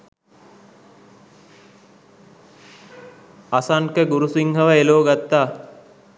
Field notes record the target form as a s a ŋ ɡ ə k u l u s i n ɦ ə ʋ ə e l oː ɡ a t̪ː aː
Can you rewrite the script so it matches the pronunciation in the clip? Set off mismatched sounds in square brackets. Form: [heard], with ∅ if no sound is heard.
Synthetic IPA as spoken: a s a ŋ [k] ə [ɡ] u [ɾ] u s i [ŋ] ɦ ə ʋ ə e l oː ɡ a t̪ː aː